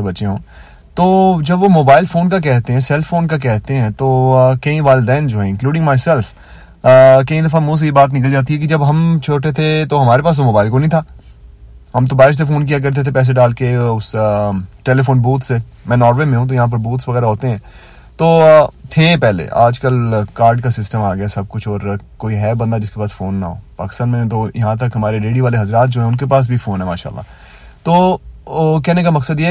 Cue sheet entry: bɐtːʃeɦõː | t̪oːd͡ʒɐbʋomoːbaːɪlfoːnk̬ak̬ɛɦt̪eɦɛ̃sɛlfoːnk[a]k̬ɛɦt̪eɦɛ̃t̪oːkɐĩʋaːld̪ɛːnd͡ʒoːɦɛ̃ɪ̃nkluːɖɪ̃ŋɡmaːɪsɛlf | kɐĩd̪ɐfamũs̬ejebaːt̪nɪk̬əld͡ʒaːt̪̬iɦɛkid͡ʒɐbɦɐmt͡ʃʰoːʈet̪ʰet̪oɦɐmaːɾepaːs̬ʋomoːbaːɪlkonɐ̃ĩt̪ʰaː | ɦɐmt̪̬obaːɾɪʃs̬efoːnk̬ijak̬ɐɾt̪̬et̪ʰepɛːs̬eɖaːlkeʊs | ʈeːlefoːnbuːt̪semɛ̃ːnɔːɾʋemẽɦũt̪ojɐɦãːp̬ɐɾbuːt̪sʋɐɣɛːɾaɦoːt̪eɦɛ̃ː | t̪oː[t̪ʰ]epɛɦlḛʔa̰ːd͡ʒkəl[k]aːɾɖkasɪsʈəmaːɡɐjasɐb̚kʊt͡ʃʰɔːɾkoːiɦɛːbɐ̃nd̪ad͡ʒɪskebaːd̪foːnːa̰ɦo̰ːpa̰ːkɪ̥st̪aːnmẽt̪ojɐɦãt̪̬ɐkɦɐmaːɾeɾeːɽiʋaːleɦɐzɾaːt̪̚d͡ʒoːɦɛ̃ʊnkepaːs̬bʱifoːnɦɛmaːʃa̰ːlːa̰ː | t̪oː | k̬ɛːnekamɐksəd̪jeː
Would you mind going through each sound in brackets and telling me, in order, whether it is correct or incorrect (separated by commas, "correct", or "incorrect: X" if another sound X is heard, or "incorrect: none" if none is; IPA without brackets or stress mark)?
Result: correct, correct, correct